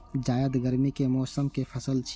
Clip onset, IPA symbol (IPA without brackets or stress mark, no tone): d͡ʒ